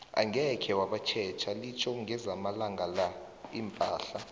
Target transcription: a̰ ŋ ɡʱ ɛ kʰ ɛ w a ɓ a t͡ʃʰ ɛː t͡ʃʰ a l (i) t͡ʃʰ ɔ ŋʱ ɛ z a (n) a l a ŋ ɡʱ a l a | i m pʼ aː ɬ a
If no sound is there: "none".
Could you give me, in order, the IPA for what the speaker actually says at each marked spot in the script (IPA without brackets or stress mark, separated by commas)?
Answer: i, m